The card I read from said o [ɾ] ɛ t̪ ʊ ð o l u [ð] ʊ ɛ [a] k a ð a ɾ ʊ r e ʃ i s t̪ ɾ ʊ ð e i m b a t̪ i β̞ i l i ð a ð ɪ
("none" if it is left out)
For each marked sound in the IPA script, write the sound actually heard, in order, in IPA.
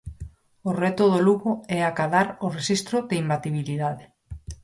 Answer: r, ɣ, a

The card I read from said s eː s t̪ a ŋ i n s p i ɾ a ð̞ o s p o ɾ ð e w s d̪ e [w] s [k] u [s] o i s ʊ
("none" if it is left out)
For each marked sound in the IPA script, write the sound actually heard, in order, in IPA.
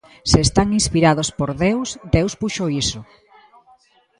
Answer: w, p, ʃ

